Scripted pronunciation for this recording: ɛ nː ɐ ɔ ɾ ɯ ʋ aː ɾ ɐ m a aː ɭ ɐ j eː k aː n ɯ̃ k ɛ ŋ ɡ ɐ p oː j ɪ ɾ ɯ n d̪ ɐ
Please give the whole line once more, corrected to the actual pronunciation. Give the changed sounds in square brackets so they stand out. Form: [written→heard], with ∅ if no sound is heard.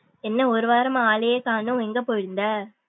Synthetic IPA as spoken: ɛ nː ɐ ɔ ɾ ɯ ʋ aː ɾ ɐ m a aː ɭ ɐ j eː k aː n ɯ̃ [k→∅] ɛ ŋ ɡ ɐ p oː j ɪ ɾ ɯ n d̪ ɐ